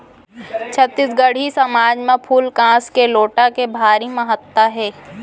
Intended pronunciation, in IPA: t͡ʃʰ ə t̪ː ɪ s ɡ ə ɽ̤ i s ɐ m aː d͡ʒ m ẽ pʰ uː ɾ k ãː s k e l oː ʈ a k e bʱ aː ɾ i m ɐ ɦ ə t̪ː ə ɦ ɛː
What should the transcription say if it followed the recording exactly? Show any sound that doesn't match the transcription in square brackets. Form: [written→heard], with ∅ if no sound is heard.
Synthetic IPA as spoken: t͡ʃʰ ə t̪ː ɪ s ɡ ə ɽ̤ i s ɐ m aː d͡ʒ m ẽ pʰ uː [ɾ→l] k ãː s k e l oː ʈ a k e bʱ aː ɾ i m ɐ ɦ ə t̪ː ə ɦ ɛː